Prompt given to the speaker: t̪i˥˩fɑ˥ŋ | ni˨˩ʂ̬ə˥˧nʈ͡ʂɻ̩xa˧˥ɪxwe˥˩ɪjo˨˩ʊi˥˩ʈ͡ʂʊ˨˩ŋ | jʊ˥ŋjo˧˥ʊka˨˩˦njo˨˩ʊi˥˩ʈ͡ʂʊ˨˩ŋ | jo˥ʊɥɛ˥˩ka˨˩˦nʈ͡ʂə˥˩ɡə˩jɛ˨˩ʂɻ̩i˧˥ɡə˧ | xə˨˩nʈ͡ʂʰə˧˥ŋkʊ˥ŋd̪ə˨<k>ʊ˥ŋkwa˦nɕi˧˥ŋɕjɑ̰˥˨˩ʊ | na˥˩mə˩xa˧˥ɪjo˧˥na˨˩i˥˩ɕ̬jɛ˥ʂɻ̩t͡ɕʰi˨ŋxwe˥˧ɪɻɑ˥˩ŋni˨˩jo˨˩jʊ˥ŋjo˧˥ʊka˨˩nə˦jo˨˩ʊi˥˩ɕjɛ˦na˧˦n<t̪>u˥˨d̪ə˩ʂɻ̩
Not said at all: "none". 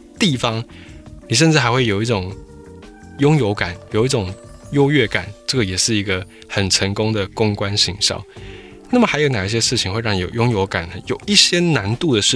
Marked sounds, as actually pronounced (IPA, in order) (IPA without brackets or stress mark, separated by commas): k, t̪